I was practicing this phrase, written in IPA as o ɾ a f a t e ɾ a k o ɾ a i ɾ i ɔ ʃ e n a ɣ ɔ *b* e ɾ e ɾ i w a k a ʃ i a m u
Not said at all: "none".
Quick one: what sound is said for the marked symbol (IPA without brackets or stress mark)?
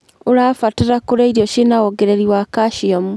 ɡ